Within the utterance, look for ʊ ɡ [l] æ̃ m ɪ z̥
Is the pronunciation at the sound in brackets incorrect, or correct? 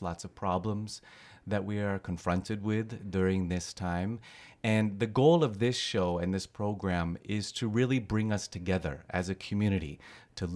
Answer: incorrect